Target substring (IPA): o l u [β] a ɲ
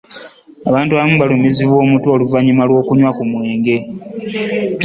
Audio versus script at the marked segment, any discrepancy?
yes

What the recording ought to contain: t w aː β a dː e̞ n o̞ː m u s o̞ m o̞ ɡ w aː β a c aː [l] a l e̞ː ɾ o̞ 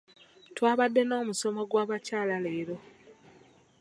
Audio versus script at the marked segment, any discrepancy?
no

